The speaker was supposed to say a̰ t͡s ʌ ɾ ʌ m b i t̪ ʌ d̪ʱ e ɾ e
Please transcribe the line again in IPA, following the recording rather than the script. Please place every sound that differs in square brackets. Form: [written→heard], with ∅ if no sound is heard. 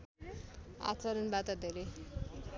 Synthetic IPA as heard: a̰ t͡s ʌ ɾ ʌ [m→n] b [i→a] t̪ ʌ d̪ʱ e ɾ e

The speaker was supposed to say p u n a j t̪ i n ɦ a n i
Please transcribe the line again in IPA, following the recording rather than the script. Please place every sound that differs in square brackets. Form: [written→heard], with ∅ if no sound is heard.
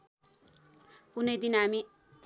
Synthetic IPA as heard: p u n [a→ʌ] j [t̪→d̪] i n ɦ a [n→m] i

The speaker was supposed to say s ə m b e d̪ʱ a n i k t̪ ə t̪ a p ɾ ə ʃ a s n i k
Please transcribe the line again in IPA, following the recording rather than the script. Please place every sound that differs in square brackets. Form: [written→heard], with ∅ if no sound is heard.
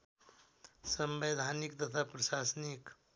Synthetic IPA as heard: s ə m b e d̪ʱ a n i k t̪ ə [t̪→t̪ʰ] a p ɾ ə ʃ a s n i k

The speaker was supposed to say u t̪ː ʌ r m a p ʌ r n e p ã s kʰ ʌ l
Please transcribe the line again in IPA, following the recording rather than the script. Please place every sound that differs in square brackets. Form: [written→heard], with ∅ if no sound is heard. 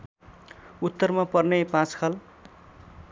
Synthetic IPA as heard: u t̪ː ʌ r m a p ʌ r n e p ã [s→t͡s] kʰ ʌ l

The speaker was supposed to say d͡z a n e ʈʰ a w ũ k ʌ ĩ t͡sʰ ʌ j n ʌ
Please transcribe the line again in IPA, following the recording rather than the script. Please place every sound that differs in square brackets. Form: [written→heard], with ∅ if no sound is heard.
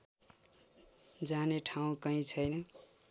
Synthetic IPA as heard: d͡z a n e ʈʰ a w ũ k ʌ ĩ t͡sʰ ʌ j n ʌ

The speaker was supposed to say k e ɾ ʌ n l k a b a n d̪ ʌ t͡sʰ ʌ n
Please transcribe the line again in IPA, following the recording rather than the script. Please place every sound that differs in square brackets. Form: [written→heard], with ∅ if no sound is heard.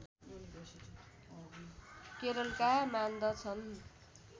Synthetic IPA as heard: k e ɾ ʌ [n→∅] l k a [b→m] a n d̪ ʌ t͡sʰ ʌ n

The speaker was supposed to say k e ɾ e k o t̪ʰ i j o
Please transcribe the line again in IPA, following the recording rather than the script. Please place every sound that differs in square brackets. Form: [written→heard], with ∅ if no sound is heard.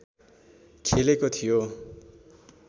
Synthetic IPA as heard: [k→kʰ] e [ɾ→l] e k o t̪ʰ i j o

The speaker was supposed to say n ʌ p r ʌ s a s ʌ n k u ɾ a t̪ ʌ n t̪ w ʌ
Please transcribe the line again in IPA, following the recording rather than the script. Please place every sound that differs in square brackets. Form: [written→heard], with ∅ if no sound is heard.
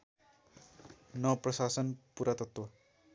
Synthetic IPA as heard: n ʌ p r ʌ s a s ʌ n [k→p] u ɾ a t̪ ʌ [n→∅] t̪ w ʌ

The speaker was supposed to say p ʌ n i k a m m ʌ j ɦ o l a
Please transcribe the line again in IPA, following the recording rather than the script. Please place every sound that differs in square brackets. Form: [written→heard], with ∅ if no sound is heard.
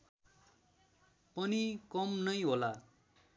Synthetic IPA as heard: p ʌ n i k [a→ʌ] m [m→n] ʌ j ɦ o l a

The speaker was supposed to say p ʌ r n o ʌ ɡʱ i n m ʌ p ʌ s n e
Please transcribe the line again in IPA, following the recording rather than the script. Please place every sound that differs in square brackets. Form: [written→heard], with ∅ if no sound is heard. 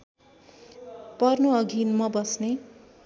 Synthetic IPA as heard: p ʌ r n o ʌ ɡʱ i n m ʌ [p→b] ʌ s n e

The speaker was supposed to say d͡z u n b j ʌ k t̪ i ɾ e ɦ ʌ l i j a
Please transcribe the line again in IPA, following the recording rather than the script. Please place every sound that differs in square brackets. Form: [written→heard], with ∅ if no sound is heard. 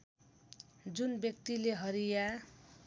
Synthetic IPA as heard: d͡z u n b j ʌ k t̪ i [ɾ→l] e ɦ ʌ [l→ɾ] i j a

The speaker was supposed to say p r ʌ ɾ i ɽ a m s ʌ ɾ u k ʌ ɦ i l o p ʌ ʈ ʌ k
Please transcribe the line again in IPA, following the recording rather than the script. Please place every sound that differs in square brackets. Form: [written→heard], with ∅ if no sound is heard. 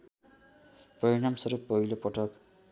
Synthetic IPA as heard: p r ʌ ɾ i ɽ a m s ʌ ɾ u [k→p] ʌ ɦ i l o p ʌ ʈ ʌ k

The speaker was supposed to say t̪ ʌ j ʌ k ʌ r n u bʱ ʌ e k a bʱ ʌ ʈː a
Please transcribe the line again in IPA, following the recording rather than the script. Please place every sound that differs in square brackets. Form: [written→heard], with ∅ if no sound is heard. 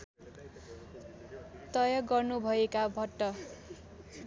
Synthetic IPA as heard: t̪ ʌ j ʌ [k→ɡ] ʌ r n u bʱ ʌ e k a bʱ ʌ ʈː [a→ʌ]

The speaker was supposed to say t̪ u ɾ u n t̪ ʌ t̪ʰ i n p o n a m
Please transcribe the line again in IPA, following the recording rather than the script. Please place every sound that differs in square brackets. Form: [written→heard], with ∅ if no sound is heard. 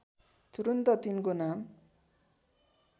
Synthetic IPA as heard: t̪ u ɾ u n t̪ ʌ [t̪ʰ→t̪] i n [p→k] o n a m

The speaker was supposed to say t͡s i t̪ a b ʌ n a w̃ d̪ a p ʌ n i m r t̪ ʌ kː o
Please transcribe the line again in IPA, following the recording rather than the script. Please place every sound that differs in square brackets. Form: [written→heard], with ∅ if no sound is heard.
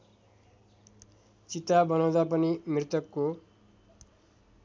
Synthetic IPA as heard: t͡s i t̪ a b ʌ n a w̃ d̪ a p ʌ n i m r t̪ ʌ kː o

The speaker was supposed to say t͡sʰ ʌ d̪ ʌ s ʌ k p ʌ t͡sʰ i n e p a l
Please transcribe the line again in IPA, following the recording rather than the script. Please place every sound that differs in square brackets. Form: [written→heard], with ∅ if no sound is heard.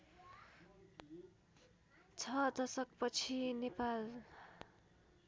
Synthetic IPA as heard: t͡sʰ ʌ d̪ ʌ s ʌ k p ʌ t͡sʰ i n e p a l

